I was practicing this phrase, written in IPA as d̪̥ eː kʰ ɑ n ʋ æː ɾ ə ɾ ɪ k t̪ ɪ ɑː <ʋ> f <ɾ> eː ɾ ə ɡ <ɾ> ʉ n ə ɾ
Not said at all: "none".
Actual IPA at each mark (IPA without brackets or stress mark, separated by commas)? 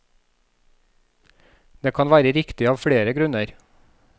ʋ, ɽ, ɾ